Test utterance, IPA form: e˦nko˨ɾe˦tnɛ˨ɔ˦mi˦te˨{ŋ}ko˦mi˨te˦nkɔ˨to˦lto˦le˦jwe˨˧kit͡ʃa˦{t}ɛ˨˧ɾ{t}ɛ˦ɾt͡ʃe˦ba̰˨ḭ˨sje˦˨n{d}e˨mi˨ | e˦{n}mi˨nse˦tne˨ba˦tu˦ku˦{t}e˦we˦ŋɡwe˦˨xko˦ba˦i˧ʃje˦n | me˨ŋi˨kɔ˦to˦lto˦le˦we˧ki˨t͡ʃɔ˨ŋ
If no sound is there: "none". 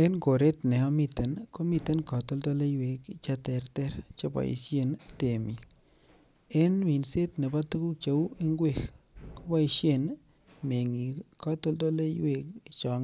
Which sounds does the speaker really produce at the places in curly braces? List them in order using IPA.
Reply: n, t, t, t, n, t͡ʃ

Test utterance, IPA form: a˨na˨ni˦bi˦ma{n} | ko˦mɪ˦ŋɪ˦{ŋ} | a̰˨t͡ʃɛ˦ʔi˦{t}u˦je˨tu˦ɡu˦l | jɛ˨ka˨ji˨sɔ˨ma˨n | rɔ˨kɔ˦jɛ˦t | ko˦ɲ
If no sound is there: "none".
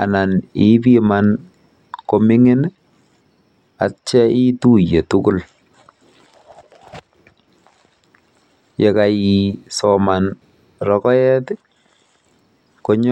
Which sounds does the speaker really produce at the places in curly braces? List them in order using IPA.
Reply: n, n, t

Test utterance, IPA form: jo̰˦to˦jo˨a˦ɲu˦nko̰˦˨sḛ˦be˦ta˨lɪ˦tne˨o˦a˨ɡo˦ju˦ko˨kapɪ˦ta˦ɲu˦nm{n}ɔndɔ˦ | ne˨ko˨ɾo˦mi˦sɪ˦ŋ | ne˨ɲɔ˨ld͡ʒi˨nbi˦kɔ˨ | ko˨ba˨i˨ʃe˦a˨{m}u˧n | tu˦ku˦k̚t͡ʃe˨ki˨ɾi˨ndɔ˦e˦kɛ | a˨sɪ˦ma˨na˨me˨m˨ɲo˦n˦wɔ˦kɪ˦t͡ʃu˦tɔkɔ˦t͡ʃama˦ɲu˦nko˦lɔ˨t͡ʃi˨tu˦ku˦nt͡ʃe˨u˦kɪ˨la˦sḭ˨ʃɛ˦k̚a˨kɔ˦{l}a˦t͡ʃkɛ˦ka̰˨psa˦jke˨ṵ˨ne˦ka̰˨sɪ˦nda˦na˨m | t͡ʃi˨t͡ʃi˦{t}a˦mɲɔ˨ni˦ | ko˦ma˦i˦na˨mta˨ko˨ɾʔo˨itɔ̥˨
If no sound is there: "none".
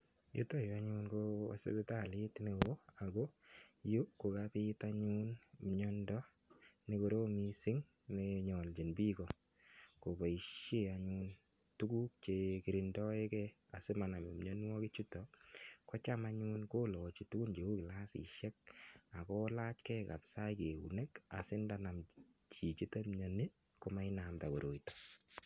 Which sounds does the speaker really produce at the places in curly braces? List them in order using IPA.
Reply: ɲ, ɲ, l, t

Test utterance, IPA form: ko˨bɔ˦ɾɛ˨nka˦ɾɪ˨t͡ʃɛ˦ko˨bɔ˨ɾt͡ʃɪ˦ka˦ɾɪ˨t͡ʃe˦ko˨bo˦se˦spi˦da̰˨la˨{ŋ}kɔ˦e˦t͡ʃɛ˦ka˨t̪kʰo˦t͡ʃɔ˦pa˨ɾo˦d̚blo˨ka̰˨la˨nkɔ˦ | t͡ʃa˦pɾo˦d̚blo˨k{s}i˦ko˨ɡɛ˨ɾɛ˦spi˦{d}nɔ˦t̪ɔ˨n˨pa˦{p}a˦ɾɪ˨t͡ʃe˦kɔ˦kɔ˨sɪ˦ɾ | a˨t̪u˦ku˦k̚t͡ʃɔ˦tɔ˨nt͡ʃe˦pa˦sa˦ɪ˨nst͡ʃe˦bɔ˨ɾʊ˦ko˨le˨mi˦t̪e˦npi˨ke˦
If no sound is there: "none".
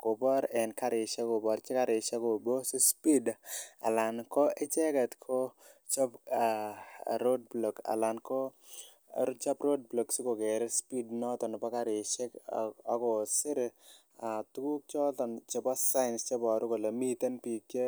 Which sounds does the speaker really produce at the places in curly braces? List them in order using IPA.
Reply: n, s, d, k

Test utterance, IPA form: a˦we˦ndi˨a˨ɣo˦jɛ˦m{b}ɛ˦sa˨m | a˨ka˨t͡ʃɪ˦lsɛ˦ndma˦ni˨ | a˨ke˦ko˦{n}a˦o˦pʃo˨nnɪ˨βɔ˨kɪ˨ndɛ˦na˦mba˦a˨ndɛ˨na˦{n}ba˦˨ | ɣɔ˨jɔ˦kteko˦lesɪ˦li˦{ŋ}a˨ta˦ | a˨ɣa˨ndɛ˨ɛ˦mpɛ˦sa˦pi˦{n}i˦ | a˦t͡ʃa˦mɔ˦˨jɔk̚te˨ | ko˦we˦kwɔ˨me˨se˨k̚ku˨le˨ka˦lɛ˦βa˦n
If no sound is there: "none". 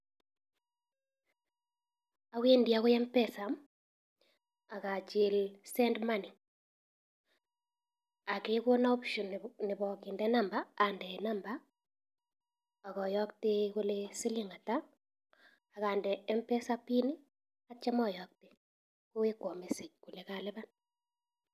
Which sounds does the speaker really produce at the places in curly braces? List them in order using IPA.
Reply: p, n, m, ŋ, n

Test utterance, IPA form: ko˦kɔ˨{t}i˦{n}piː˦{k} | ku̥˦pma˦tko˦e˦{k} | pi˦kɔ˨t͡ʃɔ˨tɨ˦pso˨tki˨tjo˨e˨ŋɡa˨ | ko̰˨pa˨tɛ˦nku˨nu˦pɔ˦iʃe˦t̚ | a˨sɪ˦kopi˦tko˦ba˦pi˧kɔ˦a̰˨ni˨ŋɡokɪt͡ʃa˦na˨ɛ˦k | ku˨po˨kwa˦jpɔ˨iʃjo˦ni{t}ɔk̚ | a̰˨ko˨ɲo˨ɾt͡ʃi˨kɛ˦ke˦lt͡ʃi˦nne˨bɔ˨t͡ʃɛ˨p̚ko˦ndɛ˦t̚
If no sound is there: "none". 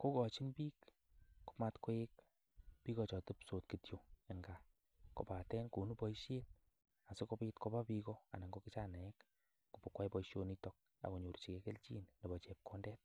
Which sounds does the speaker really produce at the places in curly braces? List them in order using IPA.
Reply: t͡ʃ, n, k, k, t

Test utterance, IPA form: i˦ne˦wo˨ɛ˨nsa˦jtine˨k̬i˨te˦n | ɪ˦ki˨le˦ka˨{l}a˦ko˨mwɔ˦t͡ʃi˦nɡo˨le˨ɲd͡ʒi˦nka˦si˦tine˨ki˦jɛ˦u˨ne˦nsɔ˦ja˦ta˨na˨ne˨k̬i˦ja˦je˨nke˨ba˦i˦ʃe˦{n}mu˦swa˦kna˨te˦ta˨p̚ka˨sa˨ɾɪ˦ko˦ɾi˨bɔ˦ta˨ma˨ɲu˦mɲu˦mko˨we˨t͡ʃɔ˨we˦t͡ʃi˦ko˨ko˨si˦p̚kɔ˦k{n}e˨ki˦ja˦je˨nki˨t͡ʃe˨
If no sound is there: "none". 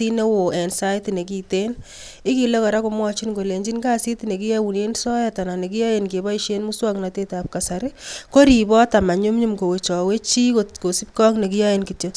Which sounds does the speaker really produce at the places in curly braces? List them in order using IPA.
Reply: ɾ, n, n

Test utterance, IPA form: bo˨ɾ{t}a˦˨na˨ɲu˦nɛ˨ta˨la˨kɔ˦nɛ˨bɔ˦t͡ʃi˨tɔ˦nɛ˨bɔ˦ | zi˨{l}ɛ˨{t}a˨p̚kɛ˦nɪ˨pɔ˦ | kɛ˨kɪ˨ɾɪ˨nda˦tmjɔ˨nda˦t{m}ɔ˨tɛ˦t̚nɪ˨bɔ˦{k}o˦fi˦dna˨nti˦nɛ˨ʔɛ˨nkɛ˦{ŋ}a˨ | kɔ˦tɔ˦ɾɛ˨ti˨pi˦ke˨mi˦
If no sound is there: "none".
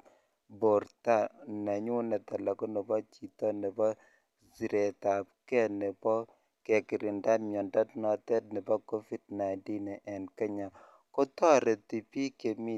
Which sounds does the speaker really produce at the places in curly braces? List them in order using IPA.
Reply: t, ɾ, t, n, k, ɲ

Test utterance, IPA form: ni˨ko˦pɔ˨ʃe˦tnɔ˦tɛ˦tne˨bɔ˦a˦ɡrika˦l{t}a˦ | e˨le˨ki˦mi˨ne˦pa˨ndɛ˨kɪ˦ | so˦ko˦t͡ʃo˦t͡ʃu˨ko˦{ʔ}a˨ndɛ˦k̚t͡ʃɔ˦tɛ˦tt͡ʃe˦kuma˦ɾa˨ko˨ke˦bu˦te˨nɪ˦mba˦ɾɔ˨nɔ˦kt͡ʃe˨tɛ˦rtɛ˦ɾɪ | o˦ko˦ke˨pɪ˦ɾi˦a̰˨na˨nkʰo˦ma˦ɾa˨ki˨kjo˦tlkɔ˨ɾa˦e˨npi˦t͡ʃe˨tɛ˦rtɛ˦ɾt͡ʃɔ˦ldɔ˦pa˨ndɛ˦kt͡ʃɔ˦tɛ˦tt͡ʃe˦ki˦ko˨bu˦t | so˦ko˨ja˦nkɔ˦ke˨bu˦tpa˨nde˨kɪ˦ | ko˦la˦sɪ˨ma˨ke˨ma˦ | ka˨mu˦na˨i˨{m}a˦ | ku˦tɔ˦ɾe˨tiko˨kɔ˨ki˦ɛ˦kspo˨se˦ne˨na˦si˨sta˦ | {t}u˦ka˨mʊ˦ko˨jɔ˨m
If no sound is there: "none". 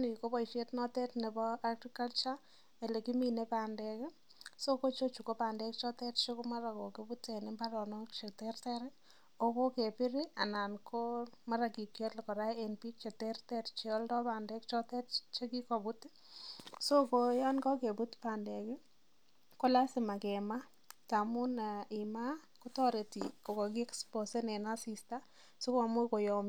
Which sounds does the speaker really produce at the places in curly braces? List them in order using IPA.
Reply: t͡ʃ, p, m, s

